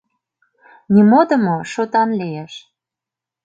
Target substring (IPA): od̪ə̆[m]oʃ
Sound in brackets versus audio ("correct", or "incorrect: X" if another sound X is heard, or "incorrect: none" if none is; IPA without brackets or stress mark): correct